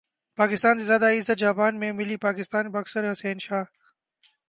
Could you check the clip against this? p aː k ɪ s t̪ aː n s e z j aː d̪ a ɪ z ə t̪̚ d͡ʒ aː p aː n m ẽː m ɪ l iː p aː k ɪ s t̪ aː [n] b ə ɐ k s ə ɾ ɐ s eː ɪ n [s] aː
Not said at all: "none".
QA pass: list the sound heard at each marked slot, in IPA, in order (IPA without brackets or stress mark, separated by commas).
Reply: n, ʃ